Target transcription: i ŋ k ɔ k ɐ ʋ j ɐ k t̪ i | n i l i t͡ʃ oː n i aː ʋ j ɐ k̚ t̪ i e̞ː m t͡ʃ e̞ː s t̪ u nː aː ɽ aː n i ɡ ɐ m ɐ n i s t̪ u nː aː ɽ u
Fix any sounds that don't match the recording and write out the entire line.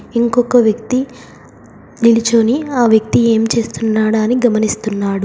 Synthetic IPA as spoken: i ŋ k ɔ k ɐ ʋ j ɐ k t̪ i | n i l i t͡ʃ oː n i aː ʋ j ɐ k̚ t̪ i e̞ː m t͡ʃ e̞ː s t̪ u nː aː ɽ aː n i ɡ ɐ m ɐ n i s t̪ u nː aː ɽ u